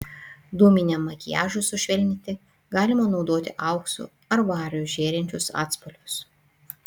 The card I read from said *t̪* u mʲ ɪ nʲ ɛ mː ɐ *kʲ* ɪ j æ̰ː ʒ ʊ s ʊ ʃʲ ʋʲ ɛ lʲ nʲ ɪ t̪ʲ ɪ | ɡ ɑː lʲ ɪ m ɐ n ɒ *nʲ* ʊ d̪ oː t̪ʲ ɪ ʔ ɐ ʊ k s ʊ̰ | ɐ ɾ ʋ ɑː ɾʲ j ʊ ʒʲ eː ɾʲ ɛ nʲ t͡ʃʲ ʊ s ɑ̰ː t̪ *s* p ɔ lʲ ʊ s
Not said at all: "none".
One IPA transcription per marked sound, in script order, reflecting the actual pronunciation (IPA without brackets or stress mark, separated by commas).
d̪, kʲ, none, s